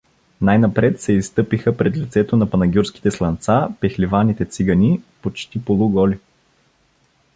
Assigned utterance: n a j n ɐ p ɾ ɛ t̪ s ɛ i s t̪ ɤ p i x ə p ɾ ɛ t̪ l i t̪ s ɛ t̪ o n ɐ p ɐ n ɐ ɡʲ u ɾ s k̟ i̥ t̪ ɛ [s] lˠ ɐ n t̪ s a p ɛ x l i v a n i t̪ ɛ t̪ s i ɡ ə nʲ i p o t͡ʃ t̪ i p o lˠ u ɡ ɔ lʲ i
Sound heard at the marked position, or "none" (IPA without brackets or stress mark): s